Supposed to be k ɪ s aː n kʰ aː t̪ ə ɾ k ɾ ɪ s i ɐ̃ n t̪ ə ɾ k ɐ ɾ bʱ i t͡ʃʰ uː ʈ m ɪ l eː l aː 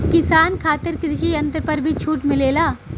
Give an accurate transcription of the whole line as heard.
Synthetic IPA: k ɪ s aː n kʰ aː t̪ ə ɾ k ɾ ɪ ʃ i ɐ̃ n t̪ ə ɾ p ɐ ɾ bʱ i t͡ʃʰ uː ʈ m ɪ l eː l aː